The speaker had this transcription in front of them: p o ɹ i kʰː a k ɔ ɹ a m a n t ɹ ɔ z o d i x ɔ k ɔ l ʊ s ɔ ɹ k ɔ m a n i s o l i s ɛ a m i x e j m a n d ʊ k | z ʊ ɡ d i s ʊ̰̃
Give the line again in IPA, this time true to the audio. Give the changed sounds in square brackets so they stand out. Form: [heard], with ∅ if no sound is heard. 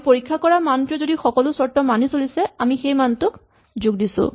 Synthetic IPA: p o ɹ i kʰː a k ɔ ɹ a m a n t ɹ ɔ z o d i x ɔ k ɔ l ʊ s ɔ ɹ [t] ɔ m a n i s o l i s ɛ a m i x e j m a n [t] ʊ k | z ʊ ɡ d i s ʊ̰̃